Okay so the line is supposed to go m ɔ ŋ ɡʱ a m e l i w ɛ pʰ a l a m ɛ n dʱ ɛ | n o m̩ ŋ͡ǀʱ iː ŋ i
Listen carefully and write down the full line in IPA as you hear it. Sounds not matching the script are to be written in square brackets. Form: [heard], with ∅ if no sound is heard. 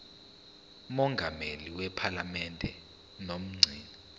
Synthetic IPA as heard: m ɔ ŋ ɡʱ a m e l i w ɛ pʰ a l a m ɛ n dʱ ɛ | n o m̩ ŋ͡ǀʱ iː [n] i